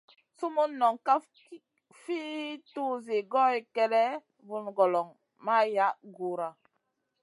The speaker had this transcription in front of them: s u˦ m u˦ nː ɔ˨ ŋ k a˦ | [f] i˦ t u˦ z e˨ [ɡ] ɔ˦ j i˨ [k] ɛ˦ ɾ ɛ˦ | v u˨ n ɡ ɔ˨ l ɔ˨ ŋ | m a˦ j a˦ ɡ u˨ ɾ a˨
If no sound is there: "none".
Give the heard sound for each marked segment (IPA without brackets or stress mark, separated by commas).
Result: f, ɡ, k